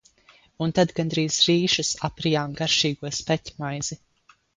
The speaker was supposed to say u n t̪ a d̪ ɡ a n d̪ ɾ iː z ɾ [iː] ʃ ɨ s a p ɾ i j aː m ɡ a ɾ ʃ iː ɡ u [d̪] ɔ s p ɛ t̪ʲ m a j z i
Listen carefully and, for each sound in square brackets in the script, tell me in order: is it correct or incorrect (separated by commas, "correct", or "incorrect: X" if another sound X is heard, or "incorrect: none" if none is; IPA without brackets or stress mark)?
correct, incorrect: none